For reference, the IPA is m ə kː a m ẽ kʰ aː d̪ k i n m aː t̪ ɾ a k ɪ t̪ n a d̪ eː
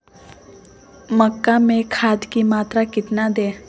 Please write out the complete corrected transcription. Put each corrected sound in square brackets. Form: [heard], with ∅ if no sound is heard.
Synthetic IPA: m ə kː a m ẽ kʰ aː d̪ k i [∅] m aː t̪ ɾ a k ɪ t̪ n a d̪ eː